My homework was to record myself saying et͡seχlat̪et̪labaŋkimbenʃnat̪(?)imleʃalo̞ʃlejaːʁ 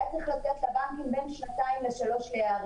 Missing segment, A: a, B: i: A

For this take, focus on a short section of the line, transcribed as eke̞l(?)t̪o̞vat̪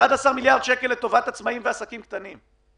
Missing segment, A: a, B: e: B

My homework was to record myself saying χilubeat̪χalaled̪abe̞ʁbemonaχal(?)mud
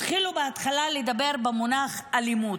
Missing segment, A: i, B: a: A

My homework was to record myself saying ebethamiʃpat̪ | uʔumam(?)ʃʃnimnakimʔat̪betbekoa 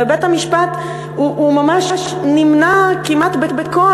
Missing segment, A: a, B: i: A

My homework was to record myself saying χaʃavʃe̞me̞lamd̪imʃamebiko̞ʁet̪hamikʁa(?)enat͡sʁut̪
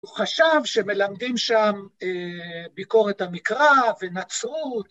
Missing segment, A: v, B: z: A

